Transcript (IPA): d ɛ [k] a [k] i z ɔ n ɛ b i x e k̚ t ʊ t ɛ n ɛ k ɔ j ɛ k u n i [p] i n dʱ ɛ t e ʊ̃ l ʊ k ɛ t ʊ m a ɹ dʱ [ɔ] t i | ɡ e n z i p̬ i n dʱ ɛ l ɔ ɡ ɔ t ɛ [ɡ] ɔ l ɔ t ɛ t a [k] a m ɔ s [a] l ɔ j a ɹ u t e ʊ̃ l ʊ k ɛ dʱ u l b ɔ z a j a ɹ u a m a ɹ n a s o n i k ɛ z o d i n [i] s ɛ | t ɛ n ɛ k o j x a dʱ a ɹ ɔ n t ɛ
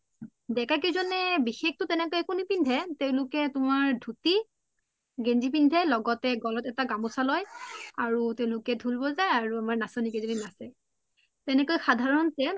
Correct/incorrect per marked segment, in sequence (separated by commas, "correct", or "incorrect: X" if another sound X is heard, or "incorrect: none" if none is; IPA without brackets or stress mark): correct, correct, correct, incorrect: u, correct, incorrect: ɡ, correct, incorrect: a